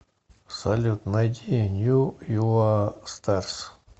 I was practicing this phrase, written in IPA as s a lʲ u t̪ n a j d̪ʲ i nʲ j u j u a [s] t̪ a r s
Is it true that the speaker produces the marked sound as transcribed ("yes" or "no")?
yes